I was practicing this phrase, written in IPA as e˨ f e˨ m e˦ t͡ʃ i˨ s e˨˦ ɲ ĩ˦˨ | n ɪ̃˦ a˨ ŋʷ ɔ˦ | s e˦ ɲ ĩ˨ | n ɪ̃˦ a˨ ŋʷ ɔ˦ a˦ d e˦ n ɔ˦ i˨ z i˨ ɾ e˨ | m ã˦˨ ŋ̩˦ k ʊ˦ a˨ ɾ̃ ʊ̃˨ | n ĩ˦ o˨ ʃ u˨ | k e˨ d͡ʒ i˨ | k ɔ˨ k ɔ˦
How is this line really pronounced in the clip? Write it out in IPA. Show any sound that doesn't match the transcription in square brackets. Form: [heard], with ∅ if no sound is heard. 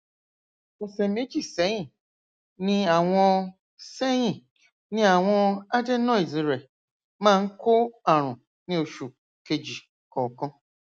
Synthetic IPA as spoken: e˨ [s] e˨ m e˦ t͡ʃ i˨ s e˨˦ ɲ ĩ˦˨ | n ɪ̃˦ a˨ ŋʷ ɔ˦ | s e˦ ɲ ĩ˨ | n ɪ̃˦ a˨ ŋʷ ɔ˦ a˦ d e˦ n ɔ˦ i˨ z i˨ ɾ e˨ | m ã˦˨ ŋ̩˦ k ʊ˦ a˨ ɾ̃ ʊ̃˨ | n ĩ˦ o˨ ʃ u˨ | k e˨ d͡ʒ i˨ | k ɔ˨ k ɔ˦

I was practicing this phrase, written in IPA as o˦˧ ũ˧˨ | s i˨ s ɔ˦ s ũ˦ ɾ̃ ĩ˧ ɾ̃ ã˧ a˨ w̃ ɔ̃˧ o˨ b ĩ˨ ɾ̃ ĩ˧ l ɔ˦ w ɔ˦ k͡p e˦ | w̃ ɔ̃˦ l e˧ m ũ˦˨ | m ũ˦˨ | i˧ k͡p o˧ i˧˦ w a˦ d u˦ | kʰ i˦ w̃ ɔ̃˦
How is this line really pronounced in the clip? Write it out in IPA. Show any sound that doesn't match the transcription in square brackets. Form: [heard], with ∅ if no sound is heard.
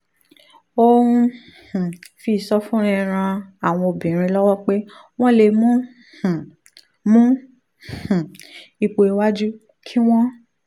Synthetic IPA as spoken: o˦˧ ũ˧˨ | [f] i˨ s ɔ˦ [f] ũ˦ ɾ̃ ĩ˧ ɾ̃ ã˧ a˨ w̃ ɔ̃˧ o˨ b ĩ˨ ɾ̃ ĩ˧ l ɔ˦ w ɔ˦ k͡p e˦ | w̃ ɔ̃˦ l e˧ m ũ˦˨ | m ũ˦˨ | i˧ k͡p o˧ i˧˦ w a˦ [d͡ʒ] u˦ | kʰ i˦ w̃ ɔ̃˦

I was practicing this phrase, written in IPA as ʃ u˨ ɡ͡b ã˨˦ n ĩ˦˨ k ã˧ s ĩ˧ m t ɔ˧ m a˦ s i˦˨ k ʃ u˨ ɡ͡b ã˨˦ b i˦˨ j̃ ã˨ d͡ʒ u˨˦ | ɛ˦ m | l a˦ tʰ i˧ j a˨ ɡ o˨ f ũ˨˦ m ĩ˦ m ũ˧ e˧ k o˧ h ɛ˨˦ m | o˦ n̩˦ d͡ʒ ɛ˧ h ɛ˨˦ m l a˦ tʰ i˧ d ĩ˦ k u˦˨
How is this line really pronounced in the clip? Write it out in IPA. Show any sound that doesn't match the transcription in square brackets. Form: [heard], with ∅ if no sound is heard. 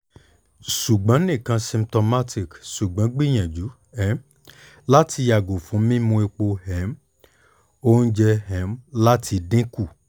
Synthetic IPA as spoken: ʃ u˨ ɡ͡b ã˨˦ n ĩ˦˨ k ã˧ s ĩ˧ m t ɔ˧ m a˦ [t] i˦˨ k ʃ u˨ ɡ͡b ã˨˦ [ɡ͡b] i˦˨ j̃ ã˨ d͡ʒ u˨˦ | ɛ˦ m | l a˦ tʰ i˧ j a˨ ɡ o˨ f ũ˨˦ m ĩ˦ m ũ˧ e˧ [k͡p] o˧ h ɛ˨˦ m | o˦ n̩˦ d͡ʒ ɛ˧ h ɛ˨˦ m l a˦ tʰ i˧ d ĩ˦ k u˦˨

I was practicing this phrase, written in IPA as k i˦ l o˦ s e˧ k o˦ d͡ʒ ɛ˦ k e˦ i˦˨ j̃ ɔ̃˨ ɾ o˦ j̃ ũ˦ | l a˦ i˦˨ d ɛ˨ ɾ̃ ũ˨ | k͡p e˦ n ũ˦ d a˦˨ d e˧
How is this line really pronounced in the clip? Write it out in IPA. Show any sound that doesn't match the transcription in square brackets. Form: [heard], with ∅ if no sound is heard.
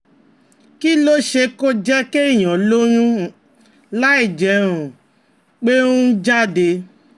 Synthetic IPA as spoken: k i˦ l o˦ [ʃ] e˧ k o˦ d͡ʒ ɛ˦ k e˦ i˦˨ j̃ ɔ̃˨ [l] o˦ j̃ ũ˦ | l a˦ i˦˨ [d͡ʒ] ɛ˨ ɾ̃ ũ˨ | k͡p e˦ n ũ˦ [d͡ʒ] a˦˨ d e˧

